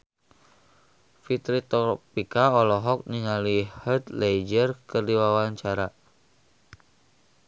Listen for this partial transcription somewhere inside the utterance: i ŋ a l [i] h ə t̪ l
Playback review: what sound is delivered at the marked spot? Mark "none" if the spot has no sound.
i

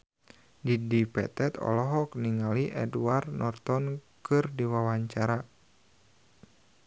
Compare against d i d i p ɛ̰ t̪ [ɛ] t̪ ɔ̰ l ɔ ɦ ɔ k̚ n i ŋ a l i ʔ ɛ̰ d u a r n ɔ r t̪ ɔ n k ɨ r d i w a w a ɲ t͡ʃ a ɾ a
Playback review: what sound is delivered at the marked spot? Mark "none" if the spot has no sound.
ɛ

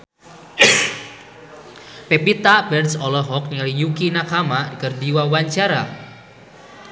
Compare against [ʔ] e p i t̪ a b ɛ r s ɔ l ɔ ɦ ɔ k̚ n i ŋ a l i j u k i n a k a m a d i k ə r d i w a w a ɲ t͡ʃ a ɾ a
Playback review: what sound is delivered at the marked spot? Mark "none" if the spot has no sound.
p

